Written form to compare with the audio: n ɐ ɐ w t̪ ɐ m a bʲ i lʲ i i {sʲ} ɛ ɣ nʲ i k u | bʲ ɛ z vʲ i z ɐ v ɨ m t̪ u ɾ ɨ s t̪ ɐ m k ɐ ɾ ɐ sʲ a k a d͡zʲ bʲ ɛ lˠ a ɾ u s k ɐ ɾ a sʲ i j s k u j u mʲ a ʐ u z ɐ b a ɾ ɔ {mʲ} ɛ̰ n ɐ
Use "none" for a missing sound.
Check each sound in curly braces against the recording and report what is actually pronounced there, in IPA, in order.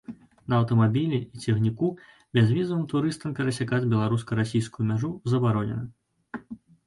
t͡sʲ, nʲ

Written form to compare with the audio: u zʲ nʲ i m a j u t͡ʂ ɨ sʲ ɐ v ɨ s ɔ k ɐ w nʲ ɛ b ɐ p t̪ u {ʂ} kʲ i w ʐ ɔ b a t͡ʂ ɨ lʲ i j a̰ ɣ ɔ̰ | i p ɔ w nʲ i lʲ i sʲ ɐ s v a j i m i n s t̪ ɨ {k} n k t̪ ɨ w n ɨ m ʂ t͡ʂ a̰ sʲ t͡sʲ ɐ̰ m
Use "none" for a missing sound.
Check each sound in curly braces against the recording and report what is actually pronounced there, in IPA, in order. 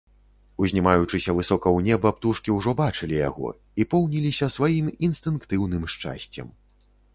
ʂ, none

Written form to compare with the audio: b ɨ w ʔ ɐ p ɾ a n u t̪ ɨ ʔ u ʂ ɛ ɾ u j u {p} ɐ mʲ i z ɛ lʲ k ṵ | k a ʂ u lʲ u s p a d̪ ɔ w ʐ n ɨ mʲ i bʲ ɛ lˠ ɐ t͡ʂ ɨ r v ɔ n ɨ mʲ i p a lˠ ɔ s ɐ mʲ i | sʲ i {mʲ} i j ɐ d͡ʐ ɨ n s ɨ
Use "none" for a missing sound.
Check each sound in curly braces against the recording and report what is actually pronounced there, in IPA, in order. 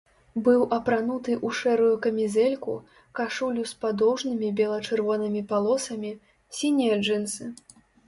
k, nʲ

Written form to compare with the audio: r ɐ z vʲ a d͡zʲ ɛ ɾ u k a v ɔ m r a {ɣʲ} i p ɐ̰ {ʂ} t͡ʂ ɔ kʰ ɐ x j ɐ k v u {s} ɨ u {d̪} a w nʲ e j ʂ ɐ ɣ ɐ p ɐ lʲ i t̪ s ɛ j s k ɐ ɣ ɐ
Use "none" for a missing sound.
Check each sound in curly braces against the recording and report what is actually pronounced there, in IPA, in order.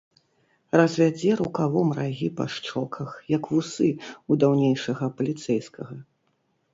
ɣʲ, ʂ, s, d̪

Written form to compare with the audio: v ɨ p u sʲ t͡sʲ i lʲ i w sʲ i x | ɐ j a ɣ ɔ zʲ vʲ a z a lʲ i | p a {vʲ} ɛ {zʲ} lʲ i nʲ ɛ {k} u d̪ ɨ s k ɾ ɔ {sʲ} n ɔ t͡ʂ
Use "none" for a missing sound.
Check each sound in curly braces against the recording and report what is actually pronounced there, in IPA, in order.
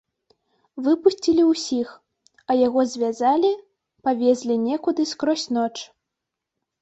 vʲ, zʲ, k, sʲ

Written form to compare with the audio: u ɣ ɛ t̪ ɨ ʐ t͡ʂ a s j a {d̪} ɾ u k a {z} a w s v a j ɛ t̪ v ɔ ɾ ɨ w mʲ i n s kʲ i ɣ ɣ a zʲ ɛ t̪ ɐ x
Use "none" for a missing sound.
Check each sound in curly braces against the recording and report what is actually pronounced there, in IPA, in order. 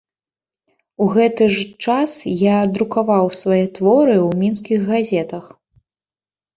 d̪, v

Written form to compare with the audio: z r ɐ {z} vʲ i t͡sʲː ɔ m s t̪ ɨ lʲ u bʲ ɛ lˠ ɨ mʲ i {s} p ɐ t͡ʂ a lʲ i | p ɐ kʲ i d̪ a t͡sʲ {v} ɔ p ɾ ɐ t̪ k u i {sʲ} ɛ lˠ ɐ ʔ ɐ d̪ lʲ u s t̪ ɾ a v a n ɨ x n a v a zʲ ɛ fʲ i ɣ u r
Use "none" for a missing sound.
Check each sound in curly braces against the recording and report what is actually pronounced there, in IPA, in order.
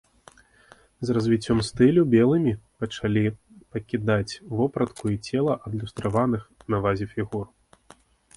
z, none, v, t͡sʲ

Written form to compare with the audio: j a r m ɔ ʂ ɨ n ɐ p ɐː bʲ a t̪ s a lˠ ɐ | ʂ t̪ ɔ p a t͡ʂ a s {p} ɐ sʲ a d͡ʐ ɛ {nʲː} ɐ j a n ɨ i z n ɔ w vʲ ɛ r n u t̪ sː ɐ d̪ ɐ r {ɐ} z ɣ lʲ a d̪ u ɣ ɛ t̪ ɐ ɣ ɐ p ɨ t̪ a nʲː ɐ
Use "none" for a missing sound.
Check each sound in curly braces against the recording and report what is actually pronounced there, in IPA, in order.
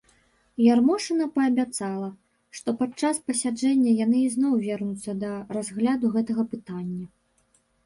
p, nʲː, a

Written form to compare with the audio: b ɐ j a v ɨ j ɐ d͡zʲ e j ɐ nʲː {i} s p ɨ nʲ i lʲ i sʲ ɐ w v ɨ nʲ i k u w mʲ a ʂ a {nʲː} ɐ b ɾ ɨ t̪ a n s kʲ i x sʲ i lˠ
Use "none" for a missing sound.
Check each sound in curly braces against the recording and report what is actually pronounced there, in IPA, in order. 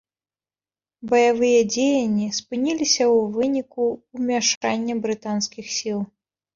i, nʲː

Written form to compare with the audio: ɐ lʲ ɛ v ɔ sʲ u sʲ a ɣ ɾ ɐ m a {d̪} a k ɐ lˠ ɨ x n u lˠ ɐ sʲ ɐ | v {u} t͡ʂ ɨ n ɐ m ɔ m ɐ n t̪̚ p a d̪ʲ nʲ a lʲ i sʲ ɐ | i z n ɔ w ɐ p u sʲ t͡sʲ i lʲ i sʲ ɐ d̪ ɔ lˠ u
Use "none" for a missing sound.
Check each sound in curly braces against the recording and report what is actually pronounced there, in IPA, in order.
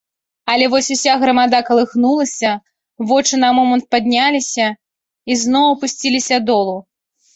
d̪, ɔ

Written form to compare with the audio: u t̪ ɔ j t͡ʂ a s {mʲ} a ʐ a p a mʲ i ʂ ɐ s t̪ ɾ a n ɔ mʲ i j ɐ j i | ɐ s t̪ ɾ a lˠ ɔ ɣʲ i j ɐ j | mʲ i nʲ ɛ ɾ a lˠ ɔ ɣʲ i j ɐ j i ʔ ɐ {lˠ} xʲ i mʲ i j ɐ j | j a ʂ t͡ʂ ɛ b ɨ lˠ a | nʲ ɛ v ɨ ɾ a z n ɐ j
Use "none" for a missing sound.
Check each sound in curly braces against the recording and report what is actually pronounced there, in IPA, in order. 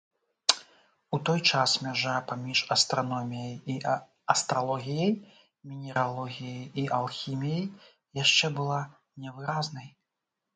mʲ, lˠ

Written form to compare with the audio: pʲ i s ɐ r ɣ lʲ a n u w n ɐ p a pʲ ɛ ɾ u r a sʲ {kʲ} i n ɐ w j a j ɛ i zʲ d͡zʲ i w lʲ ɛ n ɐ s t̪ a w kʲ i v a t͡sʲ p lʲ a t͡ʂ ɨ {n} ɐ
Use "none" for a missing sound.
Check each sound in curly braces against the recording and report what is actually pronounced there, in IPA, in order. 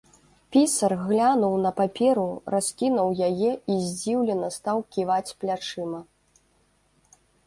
kʲ, m

